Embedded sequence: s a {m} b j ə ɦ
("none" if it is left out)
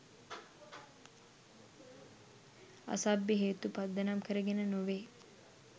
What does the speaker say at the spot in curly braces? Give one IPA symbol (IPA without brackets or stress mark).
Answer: none